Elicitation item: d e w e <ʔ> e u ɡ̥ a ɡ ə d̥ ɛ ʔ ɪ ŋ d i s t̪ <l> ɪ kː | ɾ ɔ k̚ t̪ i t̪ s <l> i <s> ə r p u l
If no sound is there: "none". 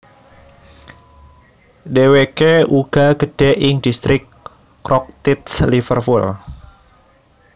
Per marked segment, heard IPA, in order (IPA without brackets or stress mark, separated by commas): k, ɾ, l, f